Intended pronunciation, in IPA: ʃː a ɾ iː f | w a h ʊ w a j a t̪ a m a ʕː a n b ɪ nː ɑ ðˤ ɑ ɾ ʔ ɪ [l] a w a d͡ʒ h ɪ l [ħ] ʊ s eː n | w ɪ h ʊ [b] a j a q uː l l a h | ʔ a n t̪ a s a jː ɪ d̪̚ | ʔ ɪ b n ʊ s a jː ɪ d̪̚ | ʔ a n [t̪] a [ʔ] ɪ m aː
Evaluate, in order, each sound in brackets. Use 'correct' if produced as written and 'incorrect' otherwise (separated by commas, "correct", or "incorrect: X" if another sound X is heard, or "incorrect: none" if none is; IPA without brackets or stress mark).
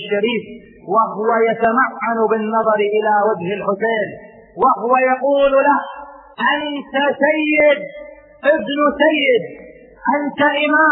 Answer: correct, correct, incorrect: w, correct, correct